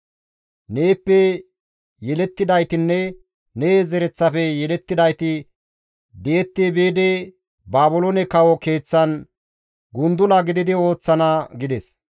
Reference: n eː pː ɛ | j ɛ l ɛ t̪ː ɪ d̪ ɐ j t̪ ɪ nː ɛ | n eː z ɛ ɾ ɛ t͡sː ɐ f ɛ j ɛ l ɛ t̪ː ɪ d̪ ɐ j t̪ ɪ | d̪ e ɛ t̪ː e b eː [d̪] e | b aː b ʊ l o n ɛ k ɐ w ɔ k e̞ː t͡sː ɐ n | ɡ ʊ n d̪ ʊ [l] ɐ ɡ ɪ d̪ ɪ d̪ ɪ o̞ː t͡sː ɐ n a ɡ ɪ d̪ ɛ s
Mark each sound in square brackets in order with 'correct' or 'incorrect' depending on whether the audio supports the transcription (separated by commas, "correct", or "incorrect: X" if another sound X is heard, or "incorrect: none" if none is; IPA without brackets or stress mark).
correct, correct